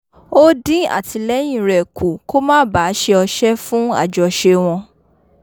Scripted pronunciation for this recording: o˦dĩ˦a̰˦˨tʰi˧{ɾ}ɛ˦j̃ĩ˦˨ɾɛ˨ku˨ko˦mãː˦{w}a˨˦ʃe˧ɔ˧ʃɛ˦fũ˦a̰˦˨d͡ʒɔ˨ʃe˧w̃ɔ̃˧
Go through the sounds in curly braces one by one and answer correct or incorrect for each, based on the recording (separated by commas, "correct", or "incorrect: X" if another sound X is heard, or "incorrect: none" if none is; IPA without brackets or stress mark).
incorrect: l, incorrect: b